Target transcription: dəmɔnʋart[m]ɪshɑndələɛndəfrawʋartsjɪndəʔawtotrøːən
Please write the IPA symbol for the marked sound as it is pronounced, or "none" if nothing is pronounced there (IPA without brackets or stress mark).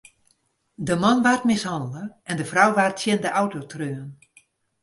m